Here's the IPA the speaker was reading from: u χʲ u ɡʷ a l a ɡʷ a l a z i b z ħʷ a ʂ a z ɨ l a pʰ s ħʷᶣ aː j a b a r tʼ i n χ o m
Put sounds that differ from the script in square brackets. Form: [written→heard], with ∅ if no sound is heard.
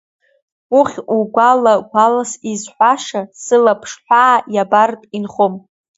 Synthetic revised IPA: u χʲ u ɡʷ a l a ɡʷ a l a [z→s] i [b→∅] z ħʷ a ʂ a [z→s] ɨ l a pʰ [s→ʂ] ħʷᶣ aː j a b a r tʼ i n χ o m